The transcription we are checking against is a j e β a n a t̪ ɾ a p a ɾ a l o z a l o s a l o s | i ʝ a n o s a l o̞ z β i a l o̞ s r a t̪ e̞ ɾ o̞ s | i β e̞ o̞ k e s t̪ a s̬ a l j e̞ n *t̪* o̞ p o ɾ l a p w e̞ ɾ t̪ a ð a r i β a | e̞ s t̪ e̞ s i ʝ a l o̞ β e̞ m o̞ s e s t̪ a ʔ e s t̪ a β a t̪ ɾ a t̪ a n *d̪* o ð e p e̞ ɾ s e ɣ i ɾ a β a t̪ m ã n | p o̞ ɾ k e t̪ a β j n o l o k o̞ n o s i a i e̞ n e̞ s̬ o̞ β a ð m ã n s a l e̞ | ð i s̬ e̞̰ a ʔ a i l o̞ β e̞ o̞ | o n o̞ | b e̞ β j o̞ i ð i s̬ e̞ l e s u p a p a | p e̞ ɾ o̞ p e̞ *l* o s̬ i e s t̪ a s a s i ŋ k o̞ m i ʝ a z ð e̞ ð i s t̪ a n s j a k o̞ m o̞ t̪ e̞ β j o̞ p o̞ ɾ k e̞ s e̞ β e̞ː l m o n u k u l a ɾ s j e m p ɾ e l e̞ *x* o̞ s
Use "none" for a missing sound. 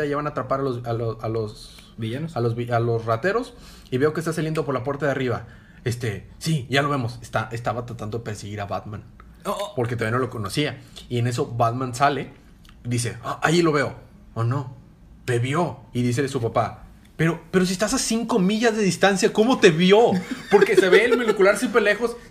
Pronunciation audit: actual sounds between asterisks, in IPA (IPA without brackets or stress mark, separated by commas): d̪, d̪, ɾ, x